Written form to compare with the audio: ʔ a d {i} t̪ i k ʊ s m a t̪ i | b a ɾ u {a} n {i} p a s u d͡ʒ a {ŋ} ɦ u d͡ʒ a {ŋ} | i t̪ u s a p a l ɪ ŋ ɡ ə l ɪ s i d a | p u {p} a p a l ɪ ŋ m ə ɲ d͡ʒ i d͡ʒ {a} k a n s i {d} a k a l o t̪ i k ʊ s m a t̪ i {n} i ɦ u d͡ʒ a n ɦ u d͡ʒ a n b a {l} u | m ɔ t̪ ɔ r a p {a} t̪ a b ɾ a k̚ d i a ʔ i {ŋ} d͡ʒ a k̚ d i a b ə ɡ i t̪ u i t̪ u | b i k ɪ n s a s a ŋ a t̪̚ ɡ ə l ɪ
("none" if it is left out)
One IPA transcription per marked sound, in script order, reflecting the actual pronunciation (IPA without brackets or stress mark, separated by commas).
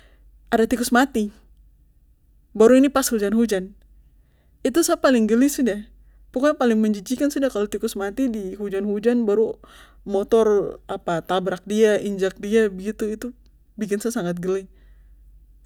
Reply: a, i, i, n, n, k, i, d, d, ɾ, a, ɲ